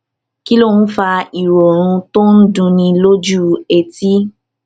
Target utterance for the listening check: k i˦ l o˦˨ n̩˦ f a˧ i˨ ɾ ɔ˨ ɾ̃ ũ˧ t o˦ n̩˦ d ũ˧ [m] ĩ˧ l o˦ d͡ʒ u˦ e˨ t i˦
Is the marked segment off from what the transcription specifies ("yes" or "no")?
yes